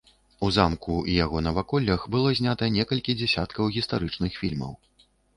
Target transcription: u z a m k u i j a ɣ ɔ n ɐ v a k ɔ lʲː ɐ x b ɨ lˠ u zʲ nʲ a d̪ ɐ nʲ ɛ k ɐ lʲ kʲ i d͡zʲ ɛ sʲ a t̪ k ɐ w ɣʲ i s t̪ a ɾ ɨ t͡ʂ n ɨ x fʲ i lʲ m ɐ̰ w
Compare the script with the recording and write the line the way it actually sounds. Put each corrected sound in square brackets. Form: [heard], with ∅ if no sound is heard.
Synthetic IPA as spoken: u z a m k u i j a ɣ ɔ n ɐ v a k ɔ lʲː ɐ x b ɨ lˠ [ɔ] zʲ nʲ a [t̪] ɐ nʲ ɛ k ɐ lʲ kʲ i d͡zʲ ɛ sʲ a t̪ k ɐ w ɣʲ i s t̪ a ɾ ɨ t͡ʂ n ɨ x fʲ i lʲ m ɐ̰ w